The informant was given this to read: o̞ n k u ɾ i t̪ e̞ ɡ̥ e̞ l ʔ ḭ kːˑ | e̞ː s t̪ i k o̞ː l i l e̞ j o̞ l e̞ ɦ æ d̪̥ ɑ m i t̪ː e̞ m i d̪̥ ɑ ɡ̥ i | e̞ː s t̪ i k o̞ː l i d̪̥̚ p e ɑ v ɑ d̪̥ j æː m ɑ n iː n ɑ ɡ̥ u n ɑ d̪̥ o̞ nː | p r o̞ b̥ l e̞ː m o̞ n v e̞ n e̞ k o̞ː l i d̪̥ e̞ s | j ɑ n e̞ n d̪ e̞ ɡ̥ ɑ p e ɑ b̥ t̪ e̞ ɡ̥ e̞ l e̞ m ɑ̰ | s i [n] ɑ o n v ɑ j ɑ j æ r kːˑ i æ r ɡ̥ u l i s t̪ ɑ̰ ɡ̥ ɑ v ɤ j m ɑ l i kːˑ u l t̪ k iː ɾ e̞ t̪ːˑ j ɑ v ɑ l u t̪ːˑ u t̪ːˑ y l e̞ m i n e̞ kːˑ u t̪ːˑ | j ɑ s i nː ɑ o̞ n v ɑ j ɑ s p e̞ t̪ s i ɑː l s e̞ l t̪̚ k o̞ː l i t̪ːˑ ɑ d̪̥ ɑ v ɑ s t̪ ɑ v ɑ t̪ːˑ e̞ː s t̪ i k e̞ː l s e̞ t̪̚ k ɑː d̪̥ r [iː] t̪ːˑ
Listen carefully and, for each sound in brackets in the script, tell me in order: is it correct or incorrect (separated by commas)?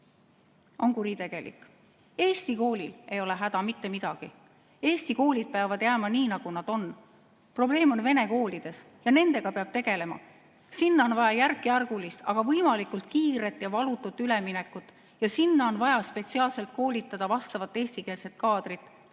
incorrect, incorrect